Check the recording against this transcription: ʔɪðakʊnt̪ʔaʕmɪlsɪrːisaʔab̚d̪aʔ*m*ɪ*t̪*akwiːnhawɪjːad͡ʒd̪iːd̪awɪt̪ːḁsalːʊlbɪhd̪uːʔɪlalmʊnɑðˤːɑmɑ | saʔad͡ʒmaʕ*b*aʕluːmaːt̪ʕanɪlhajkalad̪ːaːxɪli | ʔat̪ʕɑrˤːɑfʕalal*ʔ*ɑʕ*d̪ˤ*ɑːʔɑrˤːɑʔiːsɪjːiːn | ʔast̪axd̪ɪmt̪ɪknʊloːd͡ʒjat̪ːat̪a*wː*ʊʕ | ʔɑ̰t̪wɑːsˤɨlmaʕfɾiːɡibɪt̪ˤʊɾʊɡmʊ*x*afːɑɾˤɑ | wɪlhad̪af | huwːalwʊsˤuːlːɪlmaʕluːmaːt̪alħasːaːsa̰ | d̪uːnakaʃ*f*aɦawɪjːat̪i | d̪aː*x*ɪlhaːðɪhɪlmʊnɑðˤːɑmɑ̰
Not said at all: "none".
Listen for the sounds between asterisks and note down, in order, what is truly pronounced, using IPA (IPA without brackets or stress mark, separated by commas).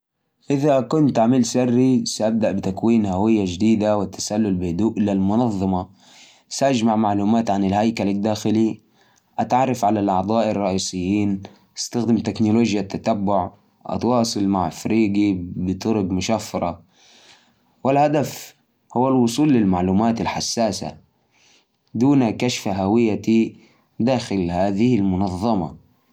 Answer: b, t̪, m, ʔ, d̪ˤ, bː, ʃ, f, x